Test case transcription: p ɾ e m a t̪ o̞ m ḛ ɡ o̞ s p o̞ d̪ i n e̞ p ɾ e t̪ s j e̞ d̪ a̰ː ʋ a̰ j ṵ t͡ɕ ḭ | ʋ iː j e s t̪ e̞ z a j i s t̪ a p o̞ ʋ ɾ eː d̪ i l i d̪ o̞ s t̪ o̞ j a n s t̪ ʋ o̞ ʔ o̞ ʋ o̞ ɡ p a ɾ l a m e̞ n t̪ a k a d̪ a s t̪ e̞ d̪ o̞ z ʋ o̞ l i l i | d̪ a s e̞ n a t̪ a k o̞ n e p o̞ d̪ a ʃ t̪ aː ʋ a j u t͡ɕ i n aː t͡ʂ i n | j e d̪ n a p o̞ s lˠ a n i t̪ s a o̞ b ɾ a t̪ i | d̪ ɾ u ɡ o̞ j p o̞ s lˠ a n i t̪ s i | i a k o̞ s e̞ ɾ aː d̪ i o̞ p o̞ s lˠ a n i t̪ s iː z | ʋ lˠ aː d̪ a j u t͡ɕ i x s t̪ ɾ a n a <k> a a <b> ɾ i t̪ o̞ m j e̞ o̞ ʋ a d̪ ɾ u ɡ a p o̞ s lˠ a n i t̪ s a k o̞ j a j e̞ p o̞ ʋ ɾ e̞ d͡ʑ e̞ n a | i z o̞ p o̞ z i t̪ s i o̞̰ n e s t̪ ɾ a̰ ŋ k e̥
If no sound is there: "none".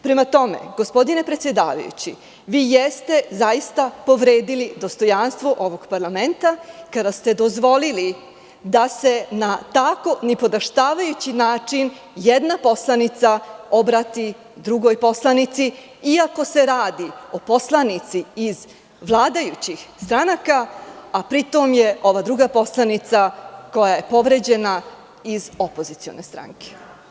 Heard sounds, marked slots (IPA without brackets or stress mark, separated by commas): k, p